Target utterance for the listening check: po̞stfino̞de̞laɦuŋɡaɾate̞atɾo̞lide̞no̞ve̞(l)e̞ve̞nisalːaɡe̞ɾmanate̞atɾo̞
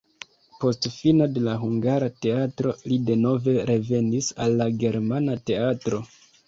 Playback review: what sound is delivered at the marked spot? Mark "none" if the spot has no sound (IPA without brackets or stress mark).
ɾ